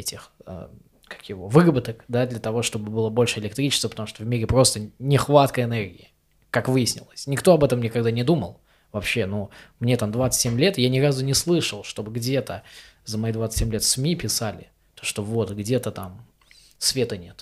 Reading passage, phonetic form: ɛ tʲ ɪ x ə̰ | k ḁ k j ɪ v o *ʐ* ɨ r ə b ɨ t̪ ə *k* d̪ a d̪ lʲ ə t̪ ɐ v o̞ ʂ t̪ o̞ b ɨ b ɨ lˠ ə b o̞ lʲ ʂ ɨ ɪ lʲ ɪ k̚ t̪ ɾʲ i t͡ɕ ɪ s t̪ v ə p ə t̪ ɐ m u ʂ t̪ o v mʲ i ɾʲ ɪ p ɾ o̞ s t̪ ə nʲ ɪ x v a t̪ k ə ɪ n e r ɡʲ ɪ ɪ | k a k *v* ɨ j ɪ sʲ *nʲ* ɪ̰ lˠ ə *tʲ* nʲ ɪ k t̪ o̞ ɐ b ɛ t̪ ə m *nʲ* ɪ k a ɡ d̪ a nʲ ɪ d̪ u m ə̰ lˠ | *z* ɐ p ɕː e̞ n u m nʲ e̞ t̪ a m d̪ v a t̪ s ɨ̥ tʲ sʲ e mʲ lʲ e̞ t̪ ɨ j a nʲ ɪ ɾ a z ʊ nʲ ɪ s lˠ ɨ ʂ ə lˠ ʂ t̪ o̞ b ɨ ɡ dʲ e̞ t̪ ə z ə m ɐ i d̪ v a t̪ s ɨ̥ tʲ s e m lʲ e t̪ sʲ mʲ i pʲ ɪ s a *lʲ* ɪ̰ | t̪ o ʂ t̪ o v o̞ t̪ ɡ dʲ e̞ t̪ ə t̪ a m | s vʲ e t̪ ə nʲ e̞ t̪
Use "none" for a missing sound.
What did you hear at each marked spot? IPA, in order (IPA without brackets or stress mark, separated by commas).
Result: v, k, v, nʲ, sʲ, nʲ, v, lʲ